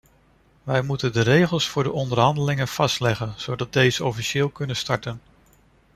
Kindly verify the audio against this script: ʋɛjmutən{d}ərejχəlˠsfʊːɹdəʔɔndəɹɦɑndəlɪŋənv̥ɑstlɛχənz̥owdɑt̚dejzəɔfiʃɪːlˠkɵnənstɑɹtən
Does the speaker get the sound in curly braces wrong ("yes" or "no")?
no